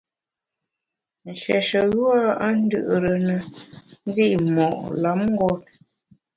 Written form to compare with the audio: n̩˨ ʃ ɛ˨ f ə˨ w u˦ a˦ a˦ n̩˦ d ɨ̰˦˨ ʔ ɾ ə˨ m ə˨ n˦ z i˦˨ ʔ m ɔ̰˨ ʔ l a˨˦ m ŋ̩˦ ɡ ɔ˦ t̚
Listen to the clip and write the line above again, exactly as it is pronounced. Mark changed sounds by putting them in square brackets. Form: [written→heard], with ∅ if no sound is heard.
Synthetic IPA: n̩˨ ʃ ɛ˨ [f→ʃ] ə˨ [w→ɣ] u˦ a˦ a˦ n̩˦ d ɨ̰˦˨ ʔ ɾ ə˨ [m→n] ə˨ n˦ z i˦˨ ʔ m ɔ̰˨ ʔ l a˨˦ m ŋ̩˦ ɡ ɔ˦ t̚